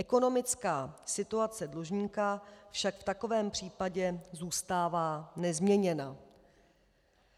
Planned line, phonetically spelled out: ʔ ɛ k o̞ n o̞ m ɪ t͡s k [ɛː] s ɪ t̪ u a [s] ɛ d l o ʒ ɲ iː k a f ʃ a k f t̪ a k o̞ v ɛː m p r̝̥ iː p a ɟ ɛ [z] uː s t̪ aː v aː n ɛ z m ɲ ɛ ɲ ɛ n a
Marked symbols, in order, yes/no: no, no, yes

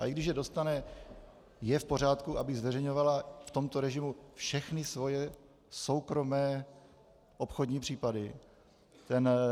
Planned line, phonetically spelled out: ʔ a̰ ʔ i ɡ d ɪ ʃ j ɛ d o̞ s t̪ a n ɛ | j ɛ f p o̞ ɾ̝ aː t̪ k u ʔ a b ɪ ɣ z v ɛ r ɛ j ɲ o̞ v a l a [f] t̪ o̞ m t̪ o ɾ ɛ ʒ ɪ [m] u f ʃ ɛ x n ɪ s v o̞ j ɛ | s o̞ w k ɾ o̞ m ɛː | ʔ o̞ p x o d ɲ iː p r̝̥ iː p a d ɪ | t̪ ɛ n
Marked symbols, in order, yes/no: yes, yes

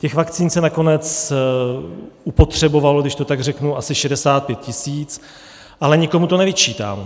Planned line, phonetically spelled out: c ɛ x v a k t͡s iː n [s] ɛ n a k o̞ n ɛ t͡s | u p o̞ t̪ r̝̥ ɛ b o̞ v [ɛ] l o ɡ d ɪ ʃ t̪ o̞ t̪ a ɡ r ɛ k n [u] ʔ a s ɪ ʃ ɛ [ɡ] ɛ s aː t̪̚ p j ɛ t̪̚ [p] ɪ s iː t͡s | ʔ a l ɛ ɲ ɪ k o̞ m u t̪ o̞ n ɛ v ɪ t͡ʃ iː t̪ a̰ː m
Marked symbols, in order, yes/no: yes, no, yes, no, no

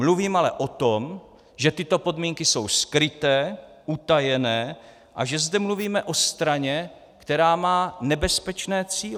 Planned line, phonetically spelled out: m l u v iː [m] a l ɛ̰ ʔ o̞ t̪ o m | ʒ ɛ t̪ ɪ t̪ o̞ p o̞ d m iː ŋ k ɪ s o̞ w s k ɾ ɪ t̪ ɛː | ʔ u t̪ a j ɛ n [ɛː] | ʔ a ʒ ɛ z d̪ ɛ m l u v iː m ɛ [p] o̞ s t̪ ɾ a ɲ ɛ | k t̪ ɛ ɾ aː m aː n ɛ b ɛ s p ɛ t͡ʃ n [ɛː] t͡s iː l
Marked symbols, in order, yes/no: yes, yes, no, yes

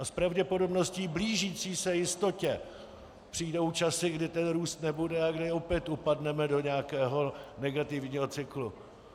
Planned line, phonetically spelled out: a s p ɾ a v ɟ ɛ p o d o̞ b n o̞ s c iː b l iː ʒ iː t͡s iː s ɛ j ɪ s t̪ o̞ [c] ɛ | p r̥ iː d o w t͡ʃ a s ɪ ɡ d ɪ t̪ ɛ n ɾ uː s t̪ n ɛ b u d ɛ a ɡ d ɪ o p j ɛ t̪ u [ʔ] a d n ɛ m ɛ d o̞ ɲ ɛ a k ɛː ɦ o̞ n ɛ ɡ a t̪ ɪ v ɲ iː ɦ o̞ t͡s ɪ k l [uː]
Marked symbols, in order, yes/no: yes, no, no

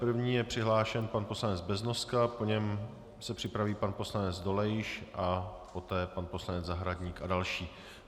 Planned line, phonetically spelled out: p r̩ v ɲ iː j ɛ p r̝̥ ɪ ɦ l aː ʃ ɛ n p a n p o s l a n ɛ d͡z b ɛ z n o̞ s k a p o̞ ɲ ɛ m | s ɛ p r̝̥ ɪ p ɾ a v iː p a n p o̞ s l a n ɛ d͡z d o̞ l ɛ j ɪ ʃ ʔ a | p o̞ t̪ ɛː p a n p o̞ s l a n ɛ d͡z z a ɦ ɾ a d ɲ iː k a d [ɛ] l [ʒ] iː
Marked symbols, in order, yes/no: no, no

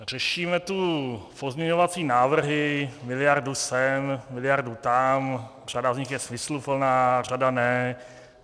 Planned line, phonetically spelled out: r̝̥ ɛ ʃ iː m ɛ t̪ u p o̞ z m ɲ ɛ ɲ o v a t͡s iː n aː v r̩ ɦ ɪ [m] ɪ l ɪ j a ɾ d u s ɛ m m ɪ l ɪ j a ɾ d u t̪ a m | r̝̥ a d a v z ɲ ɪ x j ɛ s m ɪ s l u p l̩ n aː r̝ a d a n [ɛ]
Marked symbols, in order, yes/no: yes, yes

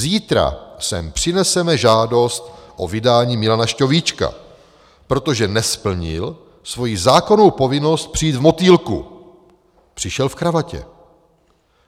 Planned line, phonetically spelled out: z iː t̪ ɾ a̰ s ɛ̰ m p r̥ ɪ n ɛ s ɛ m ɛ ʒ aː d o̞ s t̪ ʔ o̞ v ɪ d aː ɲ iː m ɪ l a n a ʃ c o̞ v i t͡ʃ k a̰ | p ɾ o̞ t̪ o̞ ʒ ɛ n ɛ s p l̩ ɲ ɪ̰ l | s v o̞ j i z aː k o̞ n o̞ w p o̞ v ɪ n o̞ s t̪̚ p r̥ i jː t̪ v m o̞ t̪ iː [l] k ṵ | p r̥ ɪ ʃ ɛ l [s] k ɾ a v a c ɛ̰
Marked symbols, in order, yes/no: yes, no

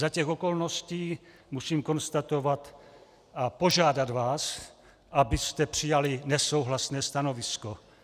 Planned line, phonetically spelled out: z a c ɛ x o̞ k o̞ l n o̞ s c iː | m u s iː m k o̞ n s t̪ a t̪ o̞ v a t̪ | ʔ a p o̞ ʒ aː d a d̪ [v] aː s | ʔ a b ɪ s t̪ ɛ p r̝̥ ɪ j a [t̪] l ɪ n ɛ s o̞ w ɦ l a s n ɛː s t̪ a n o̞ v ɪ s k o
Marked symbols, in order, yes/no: yes, no

